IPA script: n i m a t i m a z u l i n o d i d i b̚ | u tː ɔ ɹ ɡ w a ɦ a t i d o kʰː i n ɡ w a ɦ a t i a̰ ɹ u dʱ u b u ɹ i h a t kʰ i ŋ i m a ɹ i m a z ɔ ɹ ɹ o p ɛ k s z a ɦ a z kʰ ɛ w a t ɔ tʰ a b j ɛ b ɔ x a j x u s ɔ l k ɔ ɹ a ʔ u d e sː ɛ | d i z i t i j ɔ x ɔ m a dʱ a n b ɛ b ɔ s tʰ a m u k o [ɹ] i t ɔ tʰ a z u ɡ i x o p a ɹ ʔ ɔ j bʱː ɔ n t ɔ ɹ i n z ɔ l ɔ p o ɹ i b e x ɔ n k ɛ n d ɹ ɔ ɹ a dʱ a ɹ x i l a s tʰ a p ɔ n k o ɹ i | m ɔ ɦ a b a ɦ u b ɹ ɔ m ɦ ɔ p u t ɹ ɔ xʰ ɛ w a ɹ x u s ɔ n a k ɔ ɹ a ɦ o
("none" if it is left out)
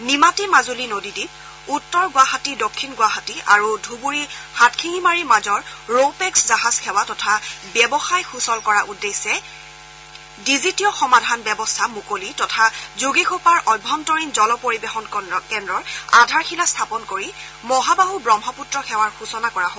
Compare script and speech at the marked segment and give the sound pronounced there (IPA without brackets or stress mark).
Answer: l